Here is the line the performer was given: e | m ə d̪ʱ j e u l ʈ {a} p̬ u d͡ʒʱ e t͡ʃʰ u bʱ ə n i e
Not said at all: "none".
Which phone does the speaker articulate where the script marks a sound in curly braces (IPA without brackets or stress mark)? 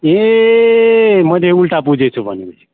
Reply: a